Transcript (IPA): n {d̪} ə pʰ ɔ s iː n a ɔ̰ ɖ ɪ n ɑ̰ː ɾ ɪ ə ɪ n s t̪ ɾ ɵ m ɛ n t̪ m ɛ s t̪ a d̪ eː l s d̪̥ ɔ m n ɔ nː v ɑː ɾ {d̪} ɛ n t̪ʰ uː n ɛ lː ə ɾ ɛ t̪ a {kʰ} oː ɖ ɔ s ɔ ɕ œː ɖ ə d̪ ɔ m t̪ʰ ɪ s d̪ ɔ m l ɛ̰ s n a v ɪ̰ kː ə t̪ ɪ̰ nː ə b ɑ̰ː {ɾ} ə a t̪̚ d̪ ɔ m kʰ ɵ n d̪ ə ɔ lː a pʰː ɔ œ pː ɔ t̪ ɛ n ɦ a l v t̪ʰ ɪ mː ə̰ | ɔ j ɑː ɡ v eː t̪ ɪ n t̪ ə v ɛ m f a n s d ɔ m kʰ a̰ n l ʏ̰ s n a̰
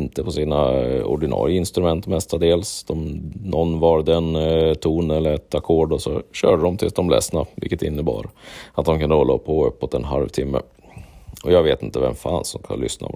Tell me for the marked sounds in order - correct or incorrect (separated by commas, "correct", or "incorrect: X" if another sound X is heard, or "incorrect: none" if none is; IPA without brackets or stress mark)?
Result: incorrect: t̪, correct, correct, correct